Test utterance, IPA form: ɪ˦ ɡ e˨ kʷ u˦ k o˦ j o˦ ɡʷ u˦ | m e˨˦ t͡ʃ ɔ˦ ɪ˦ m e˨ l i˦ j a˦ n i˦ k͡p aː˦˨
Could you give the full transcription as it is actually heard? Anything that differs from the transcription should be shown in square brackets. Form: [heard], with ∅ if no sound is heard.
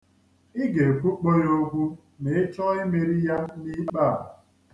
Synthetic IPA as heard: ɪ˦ ɡ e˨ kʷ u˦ [k͡p] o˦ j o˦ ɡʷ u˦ | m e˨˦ t͡ʃ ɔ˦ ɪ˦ m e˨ [ɾ] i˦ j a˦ n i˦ k͡p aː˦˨